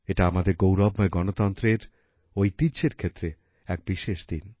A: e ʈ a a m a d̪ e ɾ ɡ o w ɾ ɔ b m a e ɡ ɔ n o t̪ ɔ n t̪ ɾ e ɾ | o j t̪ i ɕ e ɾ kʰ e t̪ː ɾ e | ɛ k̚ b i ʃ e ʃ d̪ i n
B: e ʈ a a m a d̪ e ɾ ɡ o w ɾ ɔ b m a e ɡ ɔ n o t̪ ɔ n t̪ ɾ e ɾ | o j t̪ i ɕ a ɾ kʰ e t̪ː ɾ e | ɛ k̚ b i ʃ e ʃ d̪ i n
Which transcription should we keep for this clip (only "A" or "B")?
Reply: A